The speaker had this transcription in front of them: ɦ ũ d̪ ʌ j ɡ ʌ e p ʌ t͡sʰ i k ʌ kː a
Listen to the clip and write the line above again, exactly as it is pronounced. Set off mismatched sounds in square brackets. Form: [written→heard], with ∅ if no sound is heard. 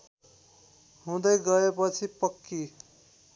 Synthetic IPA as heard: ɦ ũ d̪ ʌ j ɡ ʌ e p ʌ t͡sʰ i [k→p] ʌ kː [a→i]